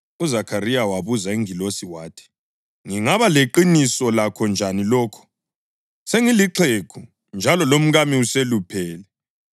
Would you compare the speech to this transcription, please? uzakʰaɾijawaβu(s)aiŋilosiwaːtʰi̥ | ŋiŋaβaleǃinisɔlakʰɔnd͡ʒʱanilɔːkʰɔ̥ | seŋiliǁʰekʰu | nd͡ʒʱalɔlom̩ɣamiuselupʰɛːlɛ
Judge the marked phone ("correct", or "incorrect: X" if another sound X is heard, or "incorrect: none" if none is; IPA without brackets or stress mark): incorrect: z